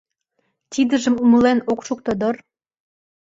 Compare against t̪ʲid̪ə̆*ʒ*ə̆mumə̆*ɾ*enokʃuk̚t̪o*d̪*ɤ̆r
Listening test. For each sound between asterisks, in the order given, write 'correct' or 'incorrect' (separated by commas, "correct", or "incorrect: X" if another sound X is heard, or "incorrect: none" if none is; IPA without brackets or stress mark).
correct, incorrect: l, correct